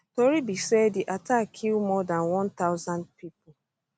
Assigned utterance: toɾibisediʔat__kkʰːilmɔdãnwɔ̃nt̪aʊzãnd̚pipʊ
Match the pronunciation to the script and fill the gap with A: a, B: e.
A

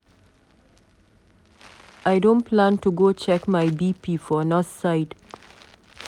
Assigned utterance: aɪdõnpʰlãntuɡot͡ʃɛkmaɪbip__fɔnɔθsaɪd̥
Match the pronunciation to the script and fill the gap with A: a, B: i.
B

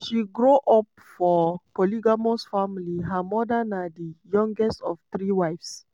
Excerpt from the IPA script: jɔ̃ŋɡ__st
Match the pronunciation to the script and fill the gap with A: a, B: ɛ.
B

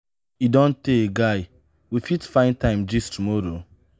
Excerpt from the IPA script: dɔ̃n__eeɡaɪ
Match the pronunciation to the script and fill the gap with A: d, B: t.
B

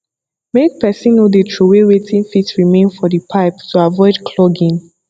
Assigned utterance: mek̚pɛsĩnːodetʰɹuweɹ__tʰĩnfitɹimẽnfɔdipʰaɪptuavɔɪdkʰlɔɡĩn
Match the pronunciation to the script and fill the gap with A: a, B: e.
B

